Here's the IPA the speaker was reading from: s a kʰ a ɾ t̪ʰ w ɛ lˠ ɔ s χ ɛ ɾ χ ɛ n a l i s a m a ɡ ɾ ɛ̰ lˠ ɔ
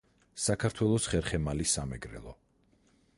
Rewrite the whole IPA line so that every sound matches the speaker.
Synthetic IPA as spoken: s a kʰ a ɾ t̪ʰ w ɛ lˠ ɔ s χ ɛ ɾ χ ɛ m a l i s a m ɛ ɡ ɾ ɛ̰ lˠ ɔ